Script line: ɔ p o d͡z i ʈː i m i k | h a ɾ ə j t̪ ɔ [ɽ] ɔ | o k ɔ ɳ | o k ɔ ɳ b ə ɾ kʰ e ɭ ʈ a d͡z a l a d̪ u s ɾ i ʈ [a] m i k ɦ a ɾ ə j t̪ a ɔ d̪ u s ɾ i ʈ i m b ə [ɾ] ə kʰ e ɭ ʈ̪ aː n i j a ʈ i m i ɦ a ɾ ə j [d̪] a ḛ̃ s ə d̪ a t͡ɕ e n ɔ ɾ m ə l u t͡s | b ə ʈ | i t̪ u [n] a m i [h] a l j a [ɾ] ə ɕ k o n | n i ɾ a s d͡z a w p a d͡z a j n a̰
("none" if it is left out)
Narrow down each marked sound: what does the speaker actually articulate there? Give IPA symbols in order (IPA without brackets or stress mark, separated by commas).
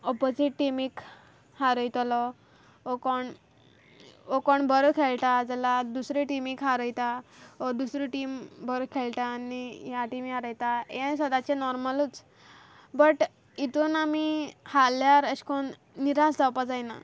l, i, ɾ, t̪, n, h, ɾ